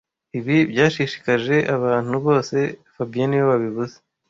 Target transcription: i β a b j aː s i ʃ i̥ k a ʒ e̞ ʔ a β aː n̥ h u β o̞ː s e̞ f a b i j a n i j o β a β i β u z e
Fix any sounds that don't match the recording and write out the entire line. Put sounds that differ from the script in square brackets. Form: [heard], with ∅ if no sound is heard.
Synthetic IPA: i β [i] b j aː [ʃ] i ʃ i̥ k a ʒ e̞ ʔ a β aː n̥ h u β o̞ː s e̞ f a b i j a n i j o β a β i β u z e